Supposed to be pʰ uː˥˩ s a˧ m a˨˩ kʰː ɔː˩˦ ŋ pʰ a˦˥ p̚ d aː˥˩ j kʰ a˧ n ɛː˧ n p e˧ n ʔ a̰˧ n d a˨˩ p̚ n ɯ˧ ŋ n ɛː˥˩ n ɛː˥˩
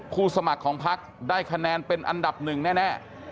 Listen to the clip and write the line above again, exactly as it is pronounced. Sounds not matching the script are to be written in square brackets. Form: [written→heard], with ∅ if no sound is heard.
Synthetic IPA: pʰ uː˥˩ s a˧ m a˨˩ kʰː ɔː˩˦ ŋ pʰ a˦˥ [p̚→k̚] d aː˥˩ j kʰ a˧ n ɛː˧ n p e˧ n ʔ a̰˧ n d a˨˩ p̚ n [ɯ˧→ɯ˨˩] ŋ n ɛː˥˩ n ɛː˥˩